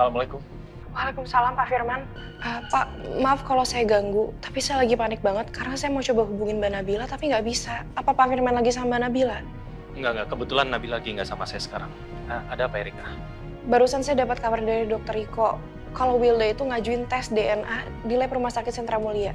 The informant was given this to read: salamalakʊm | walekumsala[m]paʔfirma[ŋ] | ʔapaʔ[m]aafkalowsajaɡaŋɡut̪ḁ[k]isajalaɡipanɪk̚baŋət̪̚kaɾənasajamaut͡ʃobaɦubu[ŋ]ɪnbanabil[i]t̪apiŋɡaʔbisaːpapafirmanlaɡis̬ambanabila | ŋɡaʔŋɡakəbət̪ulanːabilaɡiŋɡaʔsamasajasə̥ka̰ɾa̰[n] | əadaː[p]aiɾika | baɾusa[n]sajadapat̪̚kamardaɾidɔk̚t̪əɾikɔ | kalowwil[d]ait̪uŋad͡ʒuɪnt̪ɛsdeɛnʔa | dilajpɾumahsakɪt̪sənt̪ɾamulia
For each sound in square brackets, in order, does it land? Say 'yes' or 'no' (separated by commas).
yes, no, yes, no, yes, no, no, yes, yes, yes